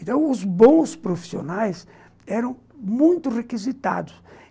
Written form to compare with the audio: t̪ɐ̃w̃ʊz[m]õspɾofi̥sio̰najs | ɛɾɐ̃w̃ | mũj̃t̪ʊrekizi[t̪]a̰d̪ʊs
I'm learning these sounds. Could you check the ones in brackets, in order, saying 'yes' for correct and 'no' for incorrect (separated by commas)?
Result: no, yes